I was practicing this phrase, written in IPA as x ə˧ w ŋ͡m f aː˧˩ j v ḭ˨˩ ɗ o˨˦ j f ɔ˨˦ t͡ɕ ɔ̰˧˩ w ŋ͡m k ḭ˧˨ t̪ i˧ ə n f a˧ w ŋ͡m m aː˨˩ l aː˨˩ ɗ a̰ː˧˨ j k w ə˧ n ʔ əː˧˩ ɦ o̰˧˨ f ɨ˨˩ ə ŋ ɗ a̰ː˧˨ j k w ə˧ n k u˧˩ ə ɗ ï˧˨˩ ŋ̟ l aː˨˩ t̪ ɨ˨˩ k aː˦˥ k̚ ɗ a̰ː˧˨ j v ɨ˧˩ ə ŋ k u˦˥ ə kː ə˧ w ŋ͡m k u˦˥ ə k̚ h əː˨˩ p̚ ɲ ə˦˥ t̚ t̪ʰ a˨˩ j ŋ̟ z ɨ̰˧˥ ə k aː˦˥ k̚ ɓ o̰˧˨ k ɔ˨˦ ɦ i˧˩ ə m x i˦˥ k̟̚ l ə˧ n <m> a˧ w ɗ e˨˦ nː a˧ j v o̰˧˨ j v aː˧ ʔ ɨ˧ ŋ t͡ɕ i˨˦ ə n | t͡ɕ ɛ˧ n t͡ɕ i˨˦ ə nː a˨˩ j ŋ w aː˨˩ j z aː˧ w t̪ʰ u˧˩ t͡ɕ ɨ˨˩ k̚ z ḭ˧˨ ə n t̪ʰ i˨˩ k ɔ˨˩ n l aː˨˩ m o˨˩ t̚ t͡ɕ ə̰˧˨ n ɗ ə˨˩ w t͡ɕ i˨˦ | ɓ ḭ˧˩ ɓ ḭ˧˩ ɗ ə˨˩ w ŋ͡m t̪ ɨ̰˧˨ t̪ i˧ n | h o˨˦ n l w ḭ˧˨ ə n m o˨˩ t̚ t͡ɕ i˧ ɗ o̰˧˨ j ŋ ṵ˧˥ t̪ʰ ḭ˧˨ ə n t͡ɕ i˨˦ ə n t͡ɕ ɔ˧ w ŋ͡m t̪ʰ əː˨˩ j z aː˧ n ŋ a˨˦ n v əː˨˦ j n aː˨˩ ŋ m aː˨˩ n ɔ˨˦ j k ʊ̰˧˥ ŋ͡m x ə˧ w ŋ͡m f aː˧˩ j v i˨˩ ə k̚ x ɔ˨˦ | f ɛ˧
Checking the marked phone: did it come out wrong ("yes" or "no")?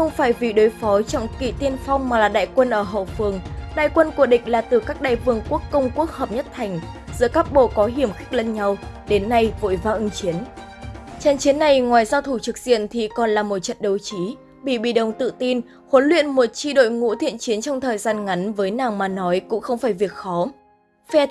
yes